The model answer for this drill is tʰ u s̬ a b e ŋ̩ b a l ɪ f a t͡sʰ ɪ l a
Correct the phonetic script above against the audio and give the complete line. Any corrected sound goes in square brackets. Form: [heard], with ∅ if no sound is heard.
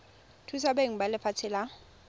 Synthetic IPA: tʰ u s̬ a b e ŋ̩ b a l ɪ f a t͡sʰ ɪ l a